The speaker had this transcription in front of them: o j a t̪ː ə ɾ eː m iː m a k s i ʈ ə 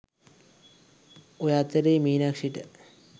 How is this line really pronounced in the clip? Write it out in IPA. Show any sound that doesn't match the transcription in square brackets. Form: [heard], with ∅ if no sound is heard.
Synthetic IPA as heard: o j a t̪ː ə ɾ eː m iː [n] a k [ʂ] i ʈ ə